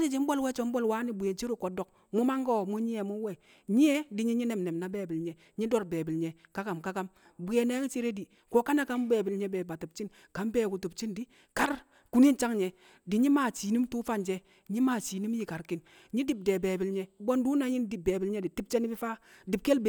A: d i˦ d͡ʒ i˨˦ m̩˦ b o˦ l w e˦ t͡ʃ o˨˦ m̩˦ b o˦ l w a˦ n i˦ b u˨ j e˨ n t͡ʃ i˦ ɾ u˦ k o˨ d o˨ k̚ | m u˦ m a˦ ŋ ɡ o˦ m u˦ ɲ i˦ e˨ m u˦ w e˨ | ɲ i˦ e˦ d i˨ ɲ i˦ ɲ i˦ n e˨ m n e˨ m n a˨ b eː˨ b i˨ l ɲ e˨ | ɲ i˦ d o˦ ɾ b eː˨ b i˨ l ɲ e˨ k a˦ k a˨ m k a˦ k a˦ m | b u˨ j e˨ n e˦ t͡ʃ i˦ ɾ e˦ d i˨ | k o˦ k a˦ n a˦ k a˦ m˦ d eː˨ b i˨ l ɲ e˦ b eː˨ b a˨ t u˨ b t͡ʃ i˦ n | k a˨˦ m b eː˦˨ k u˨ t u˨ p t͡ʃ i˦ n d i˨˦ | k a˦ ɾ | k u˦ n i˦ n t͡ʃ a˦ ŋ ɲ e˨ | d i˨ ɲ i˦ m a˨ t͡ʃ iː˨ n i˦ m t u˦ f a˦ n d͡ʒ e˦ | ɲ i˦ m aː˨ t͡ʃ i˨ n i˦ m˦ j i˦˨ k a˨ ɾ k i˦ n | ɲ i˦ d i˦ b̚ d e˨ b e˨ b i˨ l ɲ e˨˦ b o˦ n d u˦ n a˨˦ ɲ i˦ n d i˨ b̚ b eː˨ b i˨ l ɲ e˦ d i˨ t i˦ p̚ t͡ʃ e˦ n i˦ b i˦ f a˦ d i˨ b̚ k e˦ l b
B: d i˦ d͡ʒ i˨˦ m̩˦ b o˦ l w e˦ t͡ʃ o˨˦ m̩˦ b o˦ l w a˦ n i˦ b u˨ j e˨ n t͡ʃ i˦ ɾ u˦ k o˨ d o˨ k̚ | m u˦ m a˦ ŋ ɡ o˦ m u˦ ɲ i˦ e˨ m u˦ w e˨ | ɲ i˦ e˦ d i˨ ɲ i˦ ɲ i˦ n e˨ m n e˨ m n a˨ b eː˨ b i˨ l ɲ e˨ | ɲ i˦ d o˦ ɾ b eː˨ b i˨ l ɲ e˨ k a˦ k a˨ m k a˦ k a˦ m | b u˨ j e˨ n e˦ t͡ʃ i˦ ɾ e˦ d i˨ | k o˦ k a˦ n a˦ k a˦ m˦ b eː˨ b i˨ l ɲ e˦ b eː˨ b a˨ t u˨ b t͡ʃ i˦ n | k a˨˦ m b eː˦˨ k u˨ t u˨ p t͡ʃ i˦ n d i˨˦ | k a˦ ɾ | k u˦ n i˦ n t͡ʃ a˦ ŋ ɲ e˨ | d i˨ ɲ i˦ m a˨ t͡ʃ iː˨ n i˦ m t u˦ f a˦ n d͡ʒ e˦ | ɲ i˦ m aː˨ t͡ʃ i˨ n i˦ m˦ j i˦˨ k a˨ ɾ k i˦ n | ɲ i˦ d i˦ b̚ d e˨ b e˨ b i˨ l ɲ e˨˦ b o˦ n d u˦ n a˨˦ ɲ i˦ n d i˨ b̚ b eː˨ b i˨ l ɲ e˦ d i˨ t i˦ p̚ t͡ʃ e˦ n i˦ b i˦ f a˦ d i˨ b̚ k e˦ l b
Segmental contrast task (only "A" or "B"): B